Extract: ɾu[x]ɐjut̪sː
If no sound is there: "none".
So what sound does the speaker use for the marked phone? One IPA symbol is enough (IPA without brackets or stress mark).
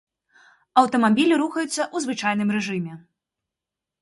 x